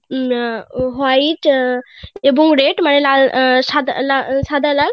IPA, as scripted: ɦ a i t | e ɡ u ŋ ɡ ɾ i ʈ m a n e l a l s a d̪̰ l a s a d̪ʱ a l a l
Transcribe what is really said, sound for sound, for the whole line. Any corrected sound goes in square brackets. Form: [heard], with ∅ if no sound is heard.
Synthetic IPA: ɦ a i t | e [b] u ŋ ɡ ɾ [e] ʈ m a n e l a l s a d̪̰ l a s a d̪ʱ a l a l